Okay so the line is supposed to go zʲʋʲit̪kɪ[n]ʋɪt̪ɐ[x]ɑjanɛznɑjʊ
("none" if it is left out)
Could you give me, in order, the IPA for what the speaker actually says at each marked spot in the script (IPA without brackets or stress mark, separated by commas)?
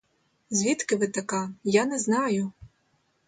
none, k